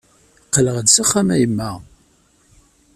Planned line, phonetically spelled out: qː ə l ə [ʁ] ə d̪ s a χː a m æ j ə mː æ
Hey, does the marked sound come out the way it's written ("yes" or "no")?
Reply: yes